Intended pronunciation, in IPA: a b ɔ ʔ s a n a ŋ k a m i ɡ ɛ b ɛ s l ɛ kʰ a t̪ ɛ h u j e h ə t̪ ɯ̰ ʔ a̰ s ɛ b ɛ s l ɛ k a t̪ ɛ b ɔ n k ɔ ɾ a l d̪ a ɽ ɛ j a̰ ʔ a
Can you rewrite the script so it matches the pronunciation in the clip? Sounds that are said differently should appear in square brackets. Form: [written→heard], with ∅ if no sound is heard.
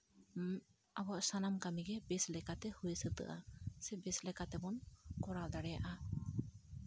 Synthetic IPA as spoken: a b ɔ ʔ s a n a [ŋ→m] k a m i ɡ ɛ b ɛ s l ɛ [kʰ→k] a t̪ ɛ h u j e [h→s] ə t̪ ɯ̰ ʔ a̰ s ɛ b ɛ s l ɛ k a t̪ ɛ b ɔ n k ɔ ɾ a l d̪ a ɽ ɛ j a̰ ʔ a